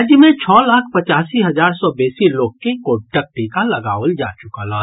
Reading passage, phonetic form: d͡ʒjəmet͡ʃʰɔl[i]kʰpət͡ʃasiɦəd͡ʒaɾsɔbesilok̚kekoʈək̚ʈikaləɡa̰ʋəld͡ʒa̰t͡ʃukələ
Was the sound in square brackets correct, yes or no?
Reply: no